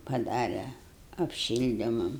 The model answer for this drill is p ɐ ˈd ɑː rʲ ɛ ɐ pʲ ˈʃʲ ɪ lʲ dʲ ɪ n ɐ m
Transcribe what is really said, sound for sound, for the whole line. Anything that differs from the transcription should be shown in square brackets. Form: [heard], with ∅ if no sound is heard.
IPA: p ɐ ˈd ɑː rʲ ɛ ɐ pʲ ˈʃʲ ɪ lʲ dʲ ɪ [m] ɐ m